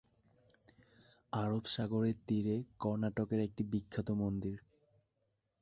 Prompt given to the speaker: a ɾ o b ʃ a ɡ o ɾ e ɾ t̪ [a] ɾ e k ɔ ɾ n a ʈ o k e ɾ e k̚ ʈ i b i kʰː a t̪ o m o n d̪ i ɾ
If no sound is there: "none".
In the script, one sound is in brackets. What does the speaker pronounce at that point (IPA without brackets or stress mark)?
i